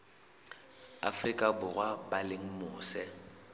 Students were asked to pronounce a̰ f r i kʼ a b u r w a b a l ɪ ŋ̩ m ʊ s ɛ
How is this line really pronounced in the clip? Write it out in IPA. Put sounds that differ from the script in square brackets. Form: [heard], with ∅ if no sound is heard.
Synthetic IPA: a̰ f r i kʼ a b [ʊ] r w a b a l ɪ ŋ̩ m [ʊː] s ɛ